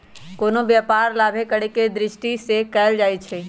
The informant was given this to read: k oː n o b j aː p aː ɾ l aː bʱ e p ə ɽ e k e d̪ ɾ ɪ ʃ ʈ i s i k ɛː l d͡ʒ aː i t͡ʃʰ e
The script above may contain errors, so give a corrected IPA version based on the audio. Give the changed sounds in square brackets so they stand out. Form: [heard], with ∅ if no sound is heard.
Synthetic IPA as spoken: k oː n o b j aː p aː ɾ l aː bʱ e [k] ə ɽ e k e d̪ ɾ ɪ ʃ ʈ i s [e] k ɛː l d͡ʒ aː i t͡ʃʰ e